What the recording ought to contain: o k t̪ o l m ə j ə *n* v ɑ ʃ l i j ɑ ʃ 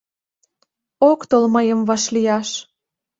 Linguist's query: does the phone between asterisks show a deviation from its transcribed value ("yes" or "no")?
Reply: yes